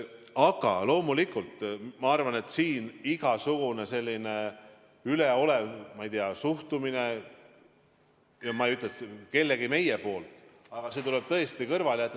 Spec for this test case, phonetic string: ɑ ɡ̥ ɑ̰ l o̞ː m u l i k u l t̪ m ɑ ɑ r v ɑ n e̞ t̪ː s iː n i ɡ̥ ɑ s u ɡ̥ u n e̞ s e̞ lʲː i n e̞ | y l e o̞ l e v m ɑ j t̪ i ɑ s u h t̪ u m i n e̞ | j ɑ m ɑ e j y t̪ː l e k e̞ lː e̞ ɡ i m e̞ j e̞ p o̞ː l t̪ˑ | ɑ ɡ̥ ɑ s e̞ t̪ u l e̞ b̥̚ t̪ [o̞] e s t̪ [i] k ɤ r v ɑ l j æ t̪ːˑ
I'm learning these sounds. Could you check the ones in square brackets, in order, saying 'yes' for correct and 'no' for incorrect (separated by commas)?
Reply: no, yes